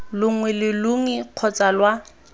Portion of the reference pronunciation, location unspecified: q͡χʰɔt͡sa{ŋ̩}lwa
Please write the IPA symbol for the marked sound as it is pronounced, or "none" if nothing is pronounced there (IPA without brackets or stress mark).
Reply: none